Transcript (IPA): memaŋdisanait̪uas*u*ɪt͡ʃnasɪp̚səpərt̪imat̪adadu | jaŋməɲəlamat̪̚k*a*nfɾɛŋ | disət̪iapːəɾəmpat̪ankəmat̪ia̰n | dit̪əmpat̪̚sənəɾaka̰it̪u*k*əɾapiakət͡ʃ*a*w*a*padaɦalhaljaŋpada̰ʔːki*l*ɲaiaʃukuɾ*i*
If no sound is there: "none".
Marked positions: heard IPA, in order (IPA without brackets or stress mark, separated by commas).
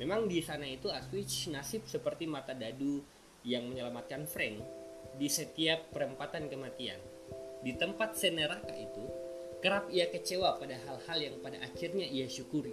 w, a, k, e, a, r, i